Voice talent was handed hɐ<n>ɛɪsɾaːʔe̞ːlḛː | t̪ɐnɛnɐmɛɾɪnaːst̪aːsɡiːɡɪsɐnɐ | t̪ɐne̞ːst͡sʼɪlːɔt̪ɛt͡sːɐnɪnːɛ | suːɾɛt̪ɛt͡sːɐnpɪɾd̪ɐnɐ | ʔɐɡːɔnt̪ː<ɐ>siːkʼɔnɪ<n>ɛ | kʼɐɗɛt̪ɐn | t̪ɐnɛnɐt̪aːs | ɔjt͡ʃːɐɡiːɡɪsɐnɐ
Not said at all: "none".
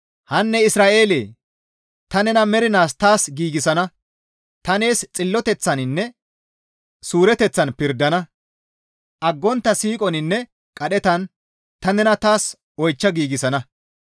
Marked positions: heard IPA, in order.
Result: nː, ɐ, nː

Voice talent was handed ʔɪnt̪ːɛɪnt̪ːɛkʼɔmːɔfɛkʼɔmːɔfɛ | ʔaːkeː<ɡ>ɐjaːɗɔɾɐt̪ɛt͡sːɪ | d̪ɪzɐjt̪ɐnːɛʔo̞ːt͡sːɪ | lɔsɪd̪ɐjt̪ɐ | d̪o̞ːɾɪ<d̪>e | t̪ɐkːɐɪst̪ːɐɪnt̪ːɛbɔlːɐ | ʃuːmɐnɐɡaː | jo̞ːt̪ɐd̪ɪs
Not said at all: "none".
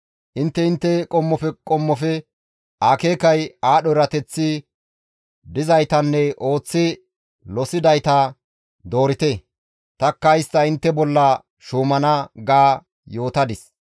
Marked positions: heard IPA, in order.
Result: k, t̪

